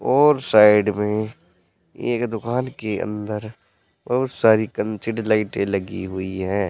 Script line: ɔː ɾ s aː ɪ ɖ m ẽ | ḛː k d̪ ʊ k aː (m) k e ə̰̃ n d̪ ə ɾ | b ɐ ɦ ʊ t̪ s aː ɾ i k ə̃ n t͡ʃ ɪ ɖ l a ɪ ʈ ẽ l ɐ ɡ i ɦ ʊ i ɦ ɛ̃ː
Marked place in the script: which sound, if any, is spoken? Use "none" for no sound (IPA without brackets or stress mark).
n